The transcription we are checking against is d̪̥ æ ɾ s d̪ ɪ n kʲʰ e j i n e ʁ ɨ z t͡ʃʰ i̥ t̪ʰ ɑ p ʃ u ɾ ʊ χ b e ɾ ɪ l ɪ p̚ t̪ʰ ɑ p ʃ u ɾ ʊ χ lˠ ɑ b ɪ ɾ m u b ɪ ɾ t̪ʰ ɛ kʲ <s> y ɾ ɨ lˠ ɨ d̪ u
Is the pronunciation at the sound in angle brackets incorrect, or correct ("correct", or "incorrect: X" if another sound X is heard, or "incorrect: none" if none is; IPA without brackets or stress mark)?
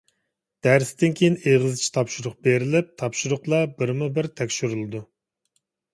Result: incorrect: ʃ